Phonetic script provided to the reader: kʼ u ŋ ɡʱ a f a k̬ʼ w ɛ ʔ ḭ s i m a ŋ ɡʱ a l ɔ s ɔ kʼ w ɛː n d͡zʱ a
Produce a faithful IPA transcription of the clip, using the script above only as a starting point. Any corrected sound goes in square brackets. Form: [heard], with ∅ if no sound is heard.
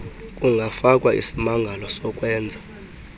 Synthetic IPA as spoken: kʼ u ŋ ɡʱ a f a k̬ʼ w [a] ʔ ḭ s i m a ŋ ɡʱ a l ɔ s ɔ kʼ w ɛː n d͡zʱ a